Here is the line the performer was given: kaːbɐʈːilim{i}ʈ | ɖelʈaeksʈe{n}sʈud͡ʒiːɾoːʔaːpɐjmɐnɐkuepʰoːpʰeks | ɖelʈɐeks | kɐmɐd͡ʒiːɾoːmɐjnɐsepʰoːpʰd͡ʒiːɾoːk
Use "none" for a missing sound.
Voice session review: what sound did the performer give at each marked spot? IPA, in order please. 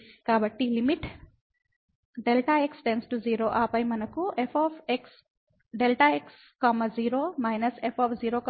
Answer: i, n

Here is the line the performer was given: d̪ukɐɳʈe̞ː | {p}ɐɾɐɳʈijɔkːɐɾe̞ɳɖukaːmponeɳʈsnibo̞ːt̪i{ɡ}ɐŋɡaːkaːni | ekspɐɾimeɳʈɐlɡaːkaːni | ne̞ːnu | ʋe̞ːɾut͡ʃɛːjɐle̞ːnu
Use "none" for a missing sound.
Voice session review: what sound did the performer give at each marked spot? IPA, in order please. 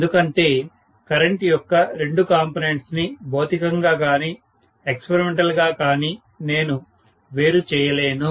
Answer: k, k

